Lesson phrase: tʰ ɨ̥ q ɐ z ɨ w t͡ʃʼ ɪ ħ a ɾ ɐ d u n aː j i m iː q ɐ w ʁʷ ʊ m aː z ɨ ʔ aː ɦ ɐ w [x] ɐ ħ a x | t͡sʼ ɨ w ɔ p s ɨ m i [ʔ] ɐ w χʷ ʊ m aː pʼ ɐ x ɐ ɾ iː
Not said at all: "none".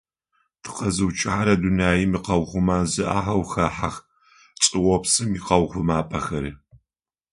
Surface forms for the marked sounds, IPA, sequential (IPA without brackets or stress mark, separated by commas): x, q